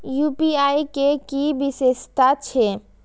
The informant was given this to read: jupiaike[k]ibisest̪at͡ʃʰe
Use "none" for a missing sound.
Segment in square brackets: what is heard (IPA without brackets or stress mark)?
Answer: k